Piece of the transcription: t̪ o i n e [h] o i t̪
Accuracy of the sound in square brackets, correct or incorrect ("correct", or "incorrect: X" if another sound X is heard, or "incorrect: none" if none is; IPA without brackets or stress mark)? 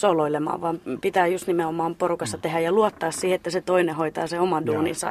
correct